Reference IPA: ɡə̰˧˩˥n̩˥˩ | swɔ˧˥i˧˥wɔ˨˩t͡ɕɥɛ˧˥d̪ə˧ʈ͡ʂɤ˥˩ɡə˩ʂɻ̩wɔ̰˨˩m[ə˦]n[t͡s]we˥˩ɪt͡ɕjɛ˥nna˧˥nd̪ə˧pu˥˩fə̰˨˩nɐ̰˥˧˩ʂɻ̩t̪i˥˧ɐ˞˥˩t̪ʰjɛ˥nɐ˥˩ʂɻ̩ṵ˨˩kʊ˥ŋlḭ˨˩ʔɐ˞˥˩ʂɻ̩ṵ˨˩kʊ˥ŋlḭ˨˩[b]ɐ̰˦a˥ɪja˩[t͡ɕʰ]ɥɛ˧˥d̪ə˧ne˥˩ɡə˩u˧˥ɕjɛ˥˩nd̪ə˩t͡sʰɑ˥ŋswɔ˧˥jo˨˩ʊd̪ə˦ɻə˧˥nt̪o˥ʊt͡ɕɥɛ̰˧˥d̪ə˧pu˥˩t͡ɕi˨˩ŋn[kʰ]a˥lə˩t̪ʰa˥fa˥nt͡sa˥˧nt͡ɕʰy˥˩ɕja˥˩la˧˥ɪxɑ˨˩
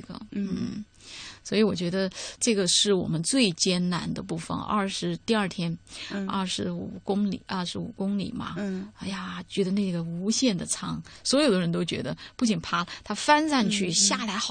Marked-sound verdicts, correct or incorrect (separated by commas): correct, correct, incorrect, incorrect, incorrect